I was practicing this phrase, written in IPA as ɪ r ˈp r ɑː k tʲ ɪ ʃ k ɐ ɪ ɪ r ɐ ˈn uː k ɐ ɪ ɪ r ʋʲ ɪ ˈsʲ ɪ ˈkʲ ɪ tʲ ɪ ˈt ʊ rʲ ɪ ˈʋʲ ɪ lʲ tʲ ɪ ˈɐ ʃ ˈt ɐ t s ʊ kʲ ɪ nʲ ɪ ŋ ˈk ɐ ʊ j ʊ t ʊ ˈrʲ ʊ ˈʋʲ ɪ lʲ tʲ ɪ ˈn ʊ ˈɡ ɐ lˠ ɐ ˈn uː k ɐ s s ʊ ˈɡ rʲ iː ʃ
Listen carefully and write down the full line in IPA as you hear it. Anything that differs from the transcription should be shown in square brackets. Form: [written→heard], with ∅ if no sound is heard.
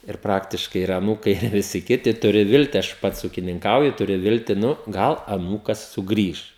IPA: ɪ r ˈp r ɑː k tʲ ɪ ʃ k ɐ ɪ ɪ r ɐ ˈn uː k ɐ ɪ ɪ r ʋʲ ɪ ˈsʲ ɪ ˈkʲ ɪ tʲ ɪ ˈt ʊ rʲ ɪ ˈʋʲ ɪ lʲ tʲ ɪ ˈɐ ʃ [ˈt→ˈp] ɐ t s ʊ kʲ ɪ nʲ ɪ ŋ ˈk ɐ ʊ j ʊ t ʊ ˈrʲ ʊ ˈʋʲ ɪ lʲ tʲ ɪ ˈn ʊ ˈɡ ɐ lˠ ɐ ˈn uː k ɐ s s ʊ ˈɡ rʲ iː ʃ